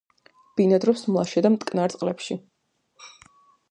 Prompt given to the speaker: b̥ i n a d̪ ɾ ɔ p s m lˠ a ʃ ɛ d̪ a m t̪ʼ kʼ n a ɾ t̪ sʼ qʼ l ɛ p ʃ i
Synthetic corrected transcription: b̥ i n a d̪ ɾ ɔ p s m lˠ a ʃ ɛ d̪ a m t̪ʼ kʼ n a ɾ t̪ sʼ qʼ l ɛ p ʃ i